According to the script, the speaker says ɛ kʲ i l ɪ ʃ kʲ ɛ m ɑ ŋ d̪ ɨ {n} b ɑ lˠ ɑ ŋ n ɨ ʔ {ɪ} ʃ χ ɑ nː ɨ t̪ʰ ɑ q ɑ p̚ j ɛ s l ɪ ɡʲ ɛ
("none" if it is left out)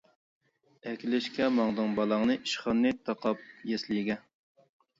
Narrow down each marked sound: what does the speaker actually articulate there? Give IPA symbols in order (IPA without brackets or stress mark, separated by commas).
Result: ŋ, i